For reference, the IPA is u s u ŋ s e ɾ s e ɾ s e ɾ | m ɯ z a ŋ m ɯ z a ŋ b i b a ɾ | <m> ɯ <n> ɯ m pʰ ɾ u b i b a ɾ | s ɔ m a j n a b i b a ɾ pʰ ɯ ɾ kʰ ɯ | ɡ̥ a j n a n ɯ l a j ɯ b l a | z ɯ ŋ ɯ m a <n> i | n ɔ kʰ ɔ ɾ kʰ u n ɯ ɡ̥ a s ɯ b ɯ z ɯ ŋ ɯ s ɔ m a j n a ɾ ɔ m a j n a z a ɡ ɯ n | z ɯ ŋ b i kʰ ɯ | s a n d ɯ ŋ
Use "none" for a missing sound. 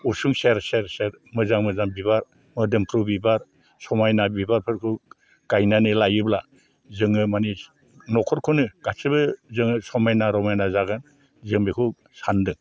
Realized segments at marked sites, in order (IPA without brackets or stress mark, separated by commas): m, d, n